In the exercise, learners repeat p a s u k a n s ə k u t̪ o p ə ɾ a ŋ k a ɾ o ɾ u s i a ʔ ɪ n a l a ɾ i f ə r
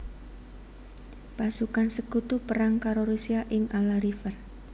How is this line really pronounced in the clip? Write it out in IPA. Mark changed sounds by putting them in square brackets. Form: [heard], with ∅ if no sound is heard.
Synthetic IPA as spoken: p a s u k a n s ə k u t̪ [u] p ə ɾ a ŋ k a ɾ o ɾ u s i a ʔ ɪ [ŋ] a l a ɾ i f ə r